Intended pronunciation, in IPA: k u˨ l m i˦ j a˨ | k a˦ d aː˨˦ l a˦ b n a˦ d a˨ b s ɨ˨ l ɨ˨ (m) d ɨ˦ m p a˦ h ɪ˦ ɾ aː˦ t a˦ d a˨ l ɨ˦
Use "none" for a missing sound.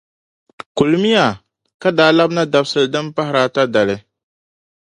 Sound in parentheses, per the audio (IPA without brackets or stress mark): none